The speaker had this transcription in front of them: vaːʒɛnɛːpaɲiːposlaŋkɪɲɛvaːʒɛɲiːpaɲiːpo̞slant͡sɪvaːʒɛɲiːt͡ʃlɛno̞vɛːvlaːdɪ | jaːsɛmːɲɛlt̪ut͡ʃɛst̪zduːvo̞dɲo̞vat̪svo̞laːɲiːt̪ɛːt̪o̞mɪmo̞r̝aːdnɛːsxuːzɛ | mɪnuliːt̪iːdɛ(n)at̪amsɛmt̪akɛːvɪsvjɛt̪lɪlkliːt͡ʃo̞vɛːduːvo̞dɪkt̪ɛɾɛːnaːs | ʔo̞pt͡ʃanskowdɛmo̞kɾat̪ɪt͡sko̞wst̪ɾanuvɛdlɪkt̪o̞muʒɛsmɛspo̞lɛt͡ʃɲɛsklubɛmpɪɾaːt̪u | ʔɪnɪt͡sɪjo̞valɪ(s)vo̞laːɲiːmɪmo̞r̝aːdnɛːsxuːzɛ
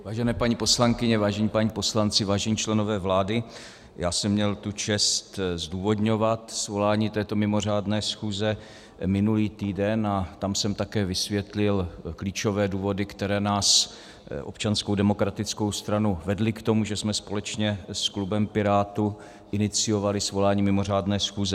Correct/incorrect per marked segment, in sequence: correct, correct

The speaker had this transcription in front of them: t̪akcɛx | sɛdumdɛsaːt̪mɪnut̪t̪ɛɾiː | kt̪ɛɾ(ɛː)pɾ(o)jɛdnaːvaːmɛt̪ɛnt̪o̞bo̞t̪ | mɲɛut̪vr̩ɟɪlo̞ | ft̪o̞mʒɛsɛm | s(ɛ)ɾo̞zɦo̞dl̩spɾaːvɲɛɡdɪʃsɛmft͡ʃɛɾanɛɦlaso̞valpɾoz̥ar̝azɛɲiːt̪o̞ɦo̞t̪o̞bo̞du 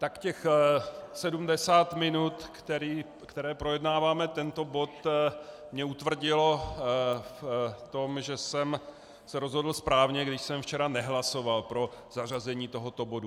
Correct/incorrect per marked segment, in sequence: correct, correct, correct

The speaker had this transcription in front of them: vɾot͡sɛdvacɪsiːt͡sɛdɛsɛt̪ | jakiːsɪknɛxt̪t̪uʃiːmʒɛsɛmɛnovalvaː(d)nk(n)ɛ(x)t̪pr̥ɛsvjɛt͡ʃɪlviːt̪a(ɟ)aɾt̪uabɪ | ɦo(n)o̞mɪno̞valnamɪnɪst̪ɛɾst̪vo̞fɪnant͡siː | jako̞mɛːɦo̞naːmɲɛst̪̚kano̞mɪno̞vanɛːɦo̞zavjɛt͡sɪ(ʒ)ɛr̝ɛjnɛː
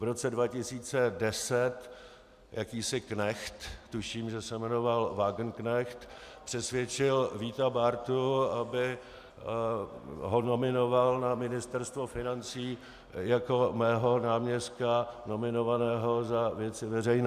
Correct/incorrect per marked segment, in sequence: incorrect: ɡ, correct, correct, incorrect: b, correct, incorrect: v

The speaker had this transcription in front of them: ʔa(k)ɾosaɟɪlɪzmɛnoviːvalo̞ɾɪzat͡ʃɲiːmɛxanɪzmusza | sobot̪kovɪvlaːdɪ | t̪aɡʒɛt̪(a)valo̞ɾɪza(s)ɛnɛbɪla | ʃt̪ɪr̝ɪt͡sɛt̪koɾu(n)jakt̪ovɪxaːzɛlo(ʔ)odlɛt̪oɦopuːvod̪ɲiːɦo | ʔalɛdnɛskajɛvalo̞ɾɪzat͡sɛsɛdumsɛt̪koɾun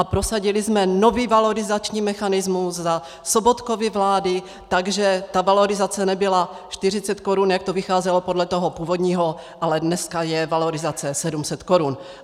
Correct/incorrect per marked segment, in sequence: incorrect: p, correct, incorrect: t͡s, correct, incorrect: p

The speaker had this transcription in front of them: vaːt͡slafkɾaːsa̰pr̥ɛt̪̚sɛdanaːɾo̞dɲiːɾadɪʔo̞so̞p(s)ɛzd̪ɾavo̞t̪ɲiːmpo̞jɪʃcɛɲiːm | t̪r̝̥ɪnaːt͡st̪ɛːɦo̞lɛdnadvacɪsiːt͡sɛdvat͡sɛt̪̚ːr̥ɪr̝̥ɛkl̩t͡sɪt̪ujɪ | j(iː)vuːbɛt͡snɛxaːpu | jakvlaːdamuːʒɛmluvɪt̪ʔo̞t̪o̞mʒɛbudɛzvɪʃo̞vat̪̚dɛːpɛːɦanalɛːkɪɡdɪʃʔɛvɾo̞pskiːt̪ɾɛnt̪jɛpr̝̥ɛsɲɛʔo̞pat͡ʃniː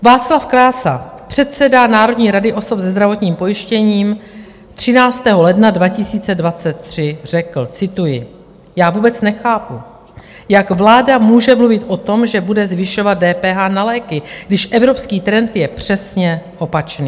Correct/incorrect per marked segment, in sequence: incorrect: z, incorrect: aː

